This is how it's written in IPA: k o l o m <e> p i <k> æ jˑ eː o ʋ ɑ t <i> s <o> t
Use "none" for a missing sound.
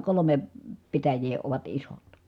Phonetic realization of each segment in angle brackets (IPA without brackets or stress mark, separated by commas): e, t, i, o